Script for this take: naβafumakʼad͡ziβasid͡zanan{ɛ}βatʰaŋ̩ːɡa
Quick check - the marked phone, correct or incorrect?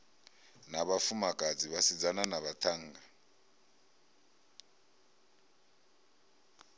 incorrect